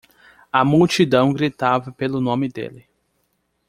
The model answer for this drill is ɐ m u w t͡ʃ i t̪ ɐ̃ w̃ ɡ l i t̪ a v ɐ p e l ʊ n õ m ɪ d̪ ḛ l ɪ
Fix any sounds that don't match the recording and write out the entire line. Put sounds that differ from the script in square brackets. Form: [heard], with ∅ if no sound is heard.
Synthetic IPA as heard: ɐ m u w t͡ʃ i [d̪] ɐ̃ w̃ ɡ [ɾ] i t̪ a v ɐ p e l ʊ n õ m ɪ d̪ ḛ l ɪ